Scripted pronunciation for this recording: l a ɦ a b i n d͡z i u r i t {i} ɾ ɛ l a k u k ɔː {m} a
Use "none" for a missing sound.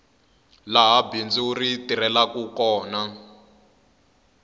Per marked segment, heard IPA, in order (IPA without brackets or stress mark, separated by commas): i, n